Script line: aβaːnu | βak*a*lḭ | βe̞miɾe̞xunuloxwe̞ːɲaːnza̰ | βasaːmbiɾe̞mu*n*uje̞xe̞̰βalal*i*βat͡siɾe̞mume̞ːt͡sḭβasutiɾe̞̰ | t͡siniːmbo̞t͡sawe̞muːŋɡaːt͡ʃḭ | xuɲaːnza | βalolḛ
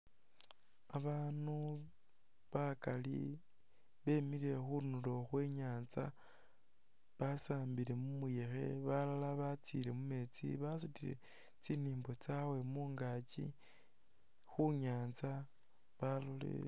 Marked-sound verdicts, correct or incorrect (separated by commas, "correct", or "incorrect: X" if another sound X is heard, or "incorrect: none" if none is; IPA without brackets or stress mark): correct, incorrect: m, incorrect: a